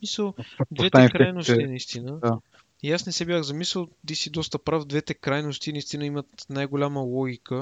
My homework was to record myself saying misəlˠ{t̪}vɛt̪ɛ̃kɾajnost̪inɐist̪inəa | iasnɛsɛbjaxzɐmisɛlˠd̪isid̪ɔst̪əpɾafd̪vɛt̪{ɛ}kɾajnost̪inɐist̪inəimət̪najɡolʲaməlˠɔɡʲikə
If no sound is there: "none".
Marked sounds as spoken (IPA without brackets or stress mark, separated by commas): d̪, ɛ